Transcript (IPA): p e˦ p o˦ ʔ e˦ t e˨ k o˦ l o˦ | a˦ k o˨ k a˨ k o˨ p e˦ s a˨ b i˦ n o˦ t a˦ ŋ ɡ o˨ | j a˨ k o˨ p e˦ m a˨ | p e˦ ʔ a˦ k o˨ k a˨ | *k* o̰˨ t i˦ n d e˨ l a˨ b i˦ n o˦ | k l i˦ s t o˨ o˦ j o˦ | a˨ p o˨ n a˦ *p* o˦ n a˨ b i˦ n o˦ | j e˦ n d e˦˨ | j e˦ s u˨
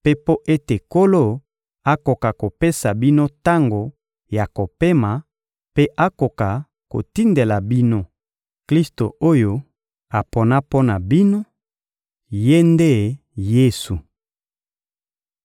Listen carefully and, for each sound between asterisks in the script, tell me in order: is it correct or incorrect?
correct, correct

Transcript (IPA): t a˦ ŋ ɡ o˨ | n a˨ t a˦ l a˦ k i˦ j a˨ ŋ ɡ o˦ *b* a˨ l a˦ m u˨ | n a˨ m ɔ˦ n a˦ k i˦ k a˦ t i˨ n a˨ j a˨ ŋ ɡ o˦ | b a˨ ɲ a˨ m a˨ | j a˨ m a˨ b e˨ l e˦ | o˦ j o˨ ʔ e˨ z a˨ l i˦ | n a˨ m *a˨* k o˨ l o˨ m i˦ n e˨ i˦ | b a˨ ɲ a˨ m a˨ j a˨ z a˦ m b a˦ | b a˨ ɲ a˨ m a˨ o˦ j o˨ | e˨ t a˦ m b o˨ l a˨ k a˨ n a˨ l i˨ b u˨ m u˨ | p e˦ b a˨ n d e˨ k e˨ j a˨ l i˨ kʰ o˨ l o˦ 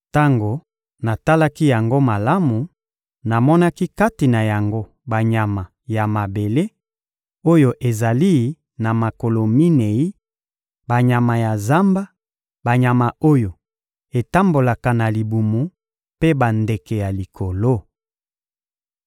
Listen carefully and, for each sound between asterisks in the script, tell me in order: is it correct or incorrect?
incorrect: m, correct

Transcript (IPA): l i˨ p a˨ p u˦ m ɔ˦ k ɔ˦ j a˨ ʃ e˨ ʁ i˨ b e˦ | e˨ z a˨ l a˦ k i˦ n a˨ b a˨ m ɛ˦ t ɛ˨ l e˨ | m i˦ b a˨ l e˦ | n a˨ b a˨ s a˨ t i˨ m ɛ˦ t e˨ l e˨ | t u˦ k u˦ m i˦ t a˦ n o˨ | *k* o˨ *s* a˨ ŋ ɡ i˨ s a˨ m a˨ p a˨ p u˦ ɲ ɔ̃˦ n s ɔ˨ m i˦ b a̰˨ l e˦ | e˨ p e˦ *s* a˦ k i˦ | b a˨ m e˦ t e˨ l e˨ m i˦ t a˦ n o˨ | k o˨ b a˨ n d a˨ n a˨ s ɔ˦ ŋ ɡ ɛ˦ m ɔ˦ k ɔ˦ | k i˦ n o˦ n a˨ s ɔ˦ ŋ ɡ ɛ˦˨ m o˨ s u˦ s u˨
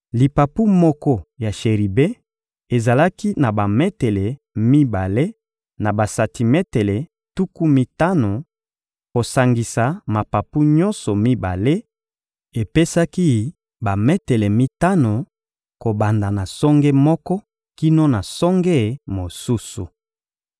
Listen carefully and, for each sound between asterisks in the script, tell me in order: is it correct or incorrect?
correct, correct, correct

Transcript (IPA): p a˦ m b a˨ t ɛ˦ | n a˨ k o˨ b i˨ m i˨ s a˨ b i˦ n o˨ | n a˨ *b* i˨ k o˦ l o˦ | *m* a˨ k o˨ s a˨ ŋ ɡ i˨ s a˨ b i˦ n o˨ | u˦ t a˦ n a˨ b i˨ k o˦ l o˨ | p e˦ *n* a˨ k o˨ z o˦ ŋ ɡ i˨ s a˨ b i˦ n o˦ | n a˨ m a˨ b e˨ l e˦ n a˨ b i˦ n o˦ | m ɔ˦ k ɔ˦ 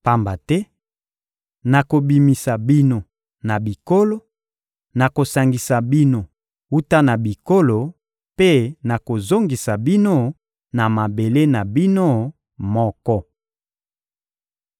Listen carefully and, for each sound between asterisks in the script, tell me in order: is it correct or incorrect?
correct, incorrect: n, correct

